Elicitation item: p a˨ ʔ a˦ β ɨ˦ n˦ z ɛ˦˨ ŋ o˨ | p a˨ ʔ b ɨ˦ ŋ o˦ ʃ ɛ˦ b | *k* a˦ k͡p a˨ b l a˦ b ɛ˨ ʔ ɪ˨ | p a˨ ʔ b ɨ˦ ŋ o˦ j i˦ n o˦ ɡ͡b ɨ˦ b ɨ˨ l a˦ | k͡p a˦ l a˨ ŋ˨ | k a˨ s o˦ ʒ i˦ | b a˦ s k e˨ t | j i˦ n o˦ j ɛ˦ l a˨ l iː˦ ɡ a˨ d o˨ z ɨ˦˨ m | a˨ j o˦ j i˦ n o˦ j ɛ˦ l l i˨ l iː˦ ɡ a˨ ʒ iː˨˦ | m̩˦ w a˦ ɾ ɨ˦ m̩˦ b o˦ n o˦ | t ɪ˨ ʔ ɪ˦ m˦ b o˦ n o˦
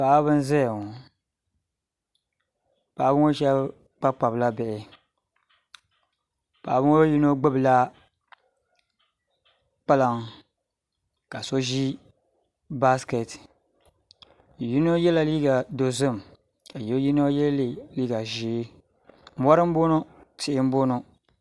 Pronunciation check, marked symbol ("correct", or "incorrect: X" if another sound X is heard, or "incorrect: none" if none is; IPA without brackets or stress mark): incorrect: k͡p